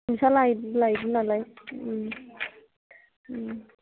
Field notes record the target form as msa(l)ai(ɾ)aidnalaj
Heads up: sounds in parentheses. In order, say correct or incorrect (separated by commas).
correct, incorrect